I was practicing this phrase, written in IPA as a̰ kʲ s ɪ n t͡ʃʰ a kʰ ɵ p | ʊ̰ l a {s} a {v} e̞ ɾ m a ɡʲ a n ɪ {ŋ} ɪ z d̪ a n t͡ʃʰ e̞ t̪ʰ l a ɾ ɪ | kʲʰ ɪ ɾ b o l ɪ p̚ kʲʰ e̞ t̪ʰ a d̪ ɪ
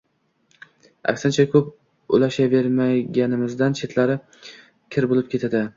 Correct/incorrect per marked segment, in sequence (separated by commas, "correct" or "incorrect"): incorrect, correct, incorrect